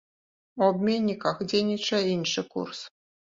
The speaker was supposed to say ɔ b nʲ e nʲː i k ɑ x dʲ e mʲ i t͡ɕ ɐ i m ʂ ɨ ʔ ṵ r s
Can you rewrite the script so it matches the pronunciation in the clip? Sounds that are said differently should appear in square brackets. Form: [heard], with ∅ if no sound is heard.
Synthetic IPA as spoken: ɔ b [mʲ] e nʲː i k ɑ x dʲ e [nʲ] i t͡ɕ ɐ i [n] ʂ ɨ [k] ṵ r s